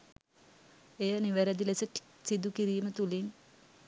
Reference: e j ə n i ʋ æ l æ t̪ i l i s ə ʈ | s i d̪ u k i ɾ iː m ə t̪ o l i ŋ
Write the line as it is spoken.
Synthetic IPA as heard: e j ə n i ʋ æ ɾ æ d̪ i l e s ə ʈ | s i d̪ u k i ɾ iː m ə t̪ u l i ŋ